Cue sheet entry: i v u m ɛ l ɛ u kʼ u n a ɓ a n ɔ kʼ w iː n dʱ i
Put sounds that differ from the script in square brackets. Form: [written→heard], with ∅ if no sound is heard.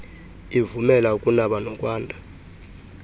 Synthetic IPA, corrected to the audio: i v u m ɛ l [ɛ→a] u kʼ u n a ɓ a n ɔ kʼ w [iː→aː] n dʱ [i→a]